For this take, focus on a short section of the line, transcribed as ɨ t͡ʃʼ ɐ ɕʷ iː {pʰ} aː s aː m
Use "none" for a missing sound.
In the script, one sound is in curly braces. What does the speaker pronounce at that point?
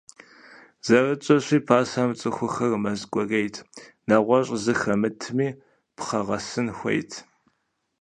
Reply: pʰ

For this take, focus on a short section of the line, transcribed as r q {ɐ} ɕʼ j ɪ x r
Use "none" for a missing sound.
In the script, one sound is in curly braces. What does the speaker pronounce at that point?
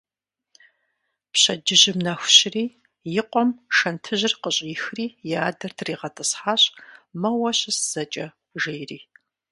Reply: ə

